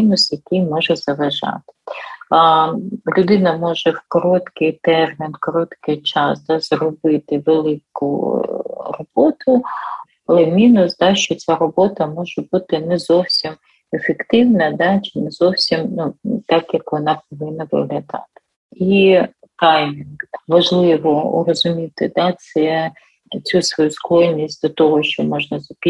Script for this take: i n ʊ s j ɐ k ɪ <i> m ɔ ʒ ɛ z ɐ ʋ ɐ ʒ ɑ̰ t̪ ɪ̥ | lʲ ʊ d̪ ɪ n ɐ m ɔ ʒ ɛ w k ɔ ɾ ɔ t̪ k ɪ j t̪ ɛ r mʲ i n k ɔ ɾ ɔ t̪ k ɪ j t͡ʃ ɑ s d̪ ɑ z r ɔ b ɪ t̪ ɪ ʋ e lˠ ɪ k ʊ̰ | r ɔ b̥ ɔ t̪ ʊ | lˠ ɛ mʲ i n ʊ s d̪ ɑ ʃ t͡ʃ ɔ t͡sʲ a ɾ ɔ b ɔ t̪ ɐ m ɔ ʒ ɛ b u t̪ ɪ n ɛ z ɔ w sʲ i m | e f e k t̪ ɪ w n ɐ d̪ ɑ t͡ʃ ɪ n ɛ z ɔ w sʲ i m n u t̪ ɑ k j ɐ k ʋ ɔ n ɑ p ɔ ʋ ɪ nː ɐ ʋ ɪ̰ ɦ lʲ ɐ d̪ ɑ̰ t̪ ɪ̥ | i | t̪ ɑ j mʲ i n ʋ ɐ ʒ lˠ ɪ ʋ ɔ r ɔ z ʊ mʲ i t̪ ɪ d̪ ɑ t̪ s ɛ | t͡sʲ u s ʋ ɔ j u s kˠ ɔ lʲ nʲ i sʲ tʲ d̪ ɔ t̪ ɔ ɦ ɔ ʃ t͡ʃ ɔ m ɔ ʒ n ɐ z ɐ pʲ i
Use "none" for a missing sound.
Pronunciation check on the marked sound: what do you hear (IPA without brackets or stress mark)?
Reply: j